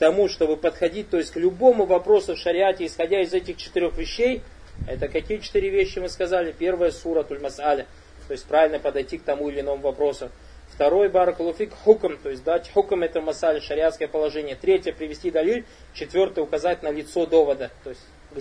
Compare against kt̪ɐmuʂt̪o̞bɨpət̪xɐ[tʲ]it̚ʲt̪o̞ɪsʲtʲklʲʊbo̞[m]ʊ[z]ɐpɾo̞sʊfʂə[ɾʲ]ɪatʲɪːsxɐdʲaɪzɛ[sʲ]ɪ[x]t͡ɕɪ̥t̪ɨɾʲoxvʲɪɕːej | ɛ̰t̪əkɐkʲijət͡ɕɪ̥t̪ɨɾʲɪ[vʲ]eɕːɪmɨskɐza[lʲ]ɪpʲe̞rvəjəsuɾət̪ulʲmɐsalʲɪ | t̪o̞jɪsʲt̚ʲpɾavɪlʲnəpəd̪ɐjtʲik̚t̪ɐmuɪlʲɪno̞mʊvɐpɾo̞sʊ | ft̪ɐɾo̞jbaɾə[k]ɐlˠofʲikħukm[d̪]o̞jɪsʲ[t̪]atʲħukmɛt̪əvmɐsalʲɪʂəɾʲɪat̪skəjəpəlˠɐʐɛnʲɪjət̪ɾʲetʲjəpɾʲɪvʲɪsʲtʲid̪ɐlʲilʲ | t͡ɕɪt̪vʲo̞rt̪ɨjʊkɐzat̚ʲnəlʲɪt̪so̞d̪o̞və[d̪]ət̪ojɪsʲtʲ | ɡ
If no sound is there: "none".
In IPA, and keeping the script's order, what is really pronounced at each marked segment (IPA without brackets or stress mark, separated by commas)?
dʲ, m, v, ɾʲ, tʲ, x, vʲ, lʲ, k, t̪, d̪, d̪